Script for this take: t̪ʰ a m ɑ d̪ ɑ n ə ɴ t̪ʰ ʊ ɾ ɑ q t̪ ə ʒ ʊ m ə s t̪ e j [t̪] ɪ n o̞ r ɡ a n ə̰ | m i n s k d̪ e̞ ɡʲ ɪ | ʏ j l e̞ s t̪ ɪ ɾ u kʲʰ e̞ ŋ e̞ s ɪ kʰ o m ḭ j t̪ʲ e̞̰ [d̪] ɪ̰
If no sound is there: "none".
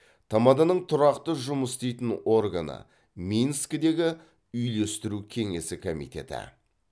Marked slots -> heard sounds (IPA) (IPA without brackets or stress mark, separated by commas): t̪, t̪